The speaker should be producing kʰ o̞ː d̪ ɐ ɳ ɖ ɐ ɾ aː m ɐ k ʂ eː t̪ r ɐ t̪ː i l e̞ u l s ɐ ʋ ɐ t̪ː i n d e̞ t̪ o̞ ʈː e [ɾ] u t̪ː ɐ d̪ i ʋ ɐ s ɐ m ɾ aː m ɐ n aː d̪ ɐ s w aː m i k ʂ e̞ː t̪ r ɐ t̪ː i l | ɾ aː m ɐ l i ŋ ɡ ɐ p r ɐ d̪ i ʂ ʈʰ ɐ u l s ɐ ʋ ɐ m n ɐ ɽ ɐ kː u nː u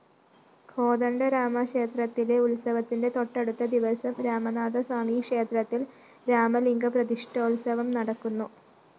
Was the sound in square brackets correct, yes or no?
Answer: no